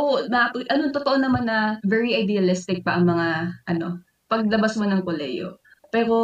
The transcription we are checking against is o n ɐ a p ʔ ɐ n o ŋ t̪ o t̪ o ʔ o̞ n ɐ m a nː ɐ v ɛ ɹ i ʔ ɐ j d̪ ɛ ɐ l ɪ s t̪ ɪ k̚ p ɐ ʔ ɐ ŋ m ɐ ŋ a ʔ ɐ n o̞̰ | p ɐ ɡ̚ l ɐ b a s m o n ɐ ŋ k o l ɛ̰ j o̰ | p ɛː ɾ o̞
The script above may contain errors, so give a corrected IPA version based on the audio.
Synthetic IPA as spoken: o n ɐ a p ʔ ɐ n o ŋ t̪ o t̪ o ʔ o̞ n ɐ m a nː ɐ v ɛ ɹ i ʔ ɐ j d̪ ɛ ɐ l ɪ s t̪ ɪ k̚ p ɐ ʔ ɐ ŋ m ɐ ŋ a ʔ ɐ n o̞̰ | p ɐ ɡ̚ l ɐ b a s m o n ɐ ŋ k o l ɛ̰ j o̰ | p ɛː ɾ o̞